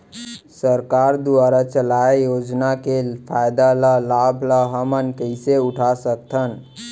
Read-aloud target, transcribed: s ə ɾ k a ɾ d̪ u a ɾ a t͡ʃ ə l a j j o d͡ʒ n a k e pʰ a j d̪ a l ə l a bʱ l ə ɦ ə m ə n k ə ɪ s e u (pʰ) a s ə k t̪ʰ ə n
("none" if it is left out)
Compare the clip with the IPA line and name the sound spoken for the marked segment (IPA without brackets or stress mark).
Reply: ʈʰ